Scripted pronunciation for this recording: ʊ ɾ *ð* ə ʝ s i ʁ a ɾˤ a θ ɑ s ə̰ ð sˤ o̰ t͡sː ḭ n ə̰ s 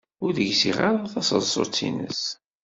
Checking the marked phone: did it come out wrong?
no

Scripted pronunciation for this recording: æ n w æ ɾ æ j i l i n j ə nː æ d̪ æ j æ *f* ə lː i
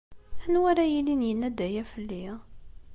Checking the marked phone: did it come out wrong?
no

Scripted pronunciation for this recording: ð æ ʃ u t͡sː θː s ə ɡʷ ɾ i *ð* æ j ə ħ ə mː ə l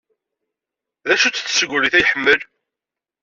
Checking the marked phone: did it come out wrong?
yes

